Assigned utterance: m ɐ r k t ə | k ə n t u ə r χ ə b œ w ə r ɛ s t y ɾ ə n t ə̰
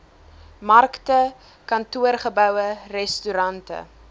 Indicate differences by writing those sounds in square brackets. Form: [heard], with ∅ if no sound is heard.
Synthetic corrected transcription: m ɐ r k t ə | k [ɐ] n t u ə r χ ə b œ w ə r ɛ s t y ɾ [ɐ] n t ə̰